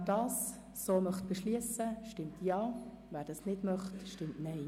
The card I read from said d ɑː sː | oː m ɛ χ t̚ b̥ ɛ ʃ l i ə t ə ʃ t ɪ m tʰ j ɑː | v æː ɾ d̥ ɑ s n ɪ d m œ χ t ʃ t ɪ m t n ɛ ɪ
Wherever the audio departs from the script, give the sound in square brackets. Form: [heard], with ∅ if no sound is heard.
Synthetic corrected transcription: d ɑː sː | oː m [œ] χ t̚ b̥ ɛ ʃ l i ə [s] ə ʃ t ɪ m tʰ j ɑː | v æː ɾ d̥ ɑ s n ɪ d m œ χ t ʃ t ɪ m t n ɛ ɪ

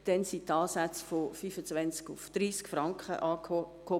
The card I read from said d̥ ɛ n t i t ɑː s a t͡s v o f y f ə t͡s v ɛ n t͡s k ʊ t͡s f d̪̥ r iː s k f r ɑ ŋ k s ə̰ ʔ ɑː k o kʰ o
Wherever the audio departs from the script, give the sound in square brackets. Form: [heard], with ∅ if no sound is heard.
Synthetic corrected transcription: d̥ ɛ n [s] i t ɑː s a t͡s [f] o f y f ə t͡s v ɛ n t͡s k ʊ [∅] f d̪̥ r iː s k f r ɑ ŋ k [χ] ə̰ ʔ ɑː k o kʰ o

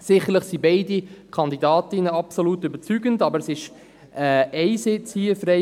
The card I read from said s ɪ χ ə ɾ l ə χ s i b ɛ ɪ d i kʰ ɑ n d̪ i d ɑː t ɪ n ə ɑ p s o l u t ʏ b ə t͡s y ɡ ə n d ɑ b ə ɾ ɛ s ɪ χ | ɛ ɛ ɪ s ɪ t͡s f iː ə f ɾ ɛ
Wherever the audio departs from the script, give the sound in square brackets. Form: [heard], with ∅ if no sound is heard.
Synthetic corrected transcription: s ɪ χ ə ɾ l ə χ s i b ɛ ɪ d i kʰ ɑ n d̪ i d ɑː t ɪ n ə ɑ p s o l u t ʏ b ə t͡s y ɡ ə n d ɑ b ə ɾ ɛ s ɪ [ʃ] | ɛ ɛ ɪ s ɪ t͡s [h] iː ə f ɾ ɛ

